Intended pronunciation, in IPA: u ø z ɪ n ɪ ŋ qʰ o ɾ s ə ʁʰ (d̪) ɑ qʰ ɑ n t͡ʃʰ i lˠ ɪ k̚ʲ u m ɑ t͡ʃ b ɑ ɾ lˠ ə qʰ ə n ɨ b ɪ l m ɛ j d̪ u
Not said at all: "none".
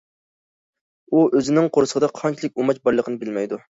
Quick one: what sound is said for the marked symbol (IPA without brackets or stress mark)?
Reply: d̪